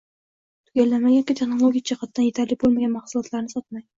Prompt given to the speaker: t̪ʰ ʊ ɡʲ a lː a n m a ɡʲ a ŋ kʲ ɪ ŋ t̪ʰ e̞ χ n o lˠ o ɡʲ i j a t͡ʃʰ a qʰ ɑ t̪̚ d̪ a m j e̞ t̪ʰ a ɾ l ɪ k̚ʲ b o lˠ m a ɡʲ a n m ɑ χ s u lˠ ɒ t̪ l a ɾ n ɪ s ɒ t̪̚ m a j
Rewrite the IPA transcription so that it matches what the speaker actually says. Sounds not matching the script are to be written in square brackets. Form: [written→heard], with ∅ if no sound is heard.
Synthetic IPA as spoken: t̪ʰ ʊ ɡʲ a lː a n m a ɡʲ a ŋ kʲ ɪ [ŋ→∅] t̪ʰ e̞ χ n o lˠ o ɡʲ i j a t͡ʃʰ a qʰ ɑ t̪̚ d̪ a [m→n] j e̞ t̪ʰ a ɾ l ɪ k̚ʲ b o lˠ m a ɡʲ a n m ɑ χ s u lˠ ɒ t̪ l a ɾ n ɪ s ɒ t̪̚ m a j